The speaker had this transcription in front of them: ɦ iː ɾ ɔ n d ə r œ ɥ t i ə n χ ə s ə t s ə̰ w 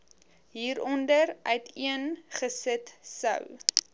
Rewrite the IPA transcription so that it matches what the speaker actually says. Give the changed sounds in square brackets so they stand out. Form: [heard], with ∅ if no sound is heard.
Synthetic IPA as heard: ɦ iː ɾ ɔ n d ə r œ ɥ t i ə n χ ə s ə t s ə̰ w